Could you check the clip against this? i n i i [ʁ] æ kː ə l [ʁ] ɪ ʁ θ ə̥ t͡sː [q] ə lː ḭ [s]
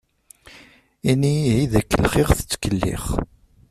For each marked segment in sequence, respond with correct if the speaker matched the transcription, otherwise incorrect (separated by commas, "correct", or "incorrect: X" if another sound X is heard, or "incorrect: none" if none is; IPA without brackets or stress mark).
incorrect: ð, incorrect: χ, incorrect: k, incorrect: χ